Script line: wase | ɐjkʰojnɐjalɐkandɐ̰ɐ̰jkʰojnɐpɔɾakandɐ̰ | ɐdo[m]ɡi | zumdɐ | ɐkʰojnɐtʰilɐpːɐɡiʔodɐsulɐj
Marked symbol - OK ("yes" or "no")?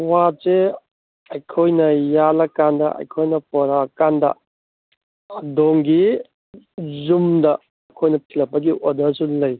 no